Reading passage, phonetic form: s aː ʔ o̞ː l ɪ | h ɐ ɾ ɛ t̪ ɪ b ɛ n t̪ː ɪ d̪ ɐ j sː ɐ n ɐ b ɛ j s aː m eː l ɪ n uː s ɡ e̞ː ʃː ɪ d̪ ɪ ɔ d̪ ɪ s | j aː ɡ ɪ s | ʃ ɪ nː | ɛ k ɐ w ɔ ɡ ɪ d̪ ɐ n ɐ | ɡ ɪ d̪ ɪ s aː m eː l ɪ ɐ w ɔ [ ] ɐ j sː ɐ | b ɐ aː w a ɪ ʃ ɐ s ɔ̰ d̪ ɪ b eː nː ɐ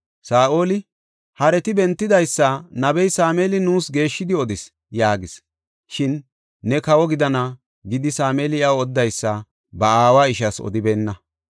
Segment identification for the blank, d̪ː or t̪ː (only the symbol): d̪ː